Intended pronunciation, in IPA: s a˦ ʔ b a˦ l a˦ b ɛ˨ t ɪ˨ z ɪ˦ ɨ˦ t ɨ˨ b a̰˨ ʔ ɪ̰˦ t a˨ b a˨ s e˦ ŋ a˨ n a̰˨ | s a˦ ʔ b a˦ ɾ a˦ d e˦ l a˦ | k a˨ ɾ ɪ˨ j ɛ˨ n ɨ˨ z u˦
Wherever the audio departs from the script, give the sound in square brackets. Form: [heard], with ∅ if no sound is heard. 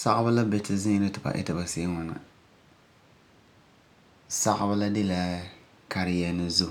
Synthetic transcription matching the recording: s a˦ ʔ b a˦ l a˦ b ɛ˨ t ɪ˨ z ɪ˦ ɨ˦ t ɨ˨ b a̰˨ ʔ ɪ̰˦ t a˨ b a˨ s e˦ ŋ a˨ n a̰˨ | s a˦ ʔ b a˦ [l] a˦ d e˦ l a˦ | k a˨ ɾ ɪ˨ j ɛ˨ n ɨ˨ z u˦